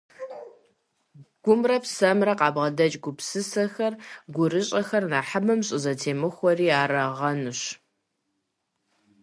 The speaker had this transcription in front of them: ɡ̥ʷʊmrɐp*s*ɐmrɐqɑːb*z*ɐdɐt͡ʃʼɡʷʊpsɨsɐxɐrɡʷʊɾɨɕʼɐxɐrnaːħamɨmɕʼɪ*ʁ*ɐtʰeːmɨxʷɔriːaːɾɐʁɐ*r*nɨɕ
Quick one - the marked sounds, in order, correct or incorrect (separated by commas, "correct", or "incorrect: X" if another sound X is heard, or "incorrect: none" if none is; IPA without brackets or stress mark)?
correct, incorrect: ʁ, incorrect: z, incorrect: none